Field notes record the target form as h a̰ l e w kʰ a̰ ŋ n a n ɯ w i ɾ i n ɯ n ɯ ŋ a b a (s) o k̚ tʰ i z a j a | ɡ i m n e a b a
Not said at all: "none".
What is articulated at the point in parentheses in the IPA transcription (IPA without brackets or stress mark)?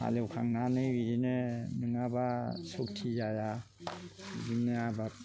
s